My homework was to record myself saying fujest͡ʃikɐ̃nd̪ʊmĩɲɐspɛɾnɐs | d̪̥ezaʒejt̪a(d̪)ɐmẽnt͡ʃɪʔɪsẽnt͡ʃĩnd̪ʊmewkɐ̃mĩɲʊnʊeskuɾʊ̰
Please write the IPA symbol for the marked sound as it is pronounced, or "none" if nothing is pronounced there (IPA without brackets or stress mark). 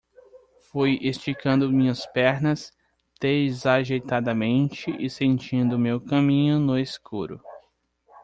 d̪